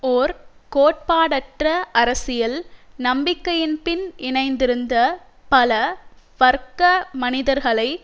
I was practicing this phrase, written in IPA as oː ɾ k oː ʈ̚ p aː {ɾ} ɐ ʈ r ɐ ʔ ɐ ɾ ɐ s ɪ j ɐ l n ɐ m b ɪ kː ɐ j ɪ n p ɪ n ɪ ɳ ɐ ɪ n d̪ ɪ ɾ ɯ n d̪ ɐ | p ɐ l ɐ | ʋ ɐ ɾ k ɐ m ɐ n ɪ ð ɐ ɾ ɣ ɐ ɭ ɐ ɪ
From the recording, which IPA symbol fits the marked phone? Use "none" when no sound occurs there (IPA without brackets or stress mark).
ɽ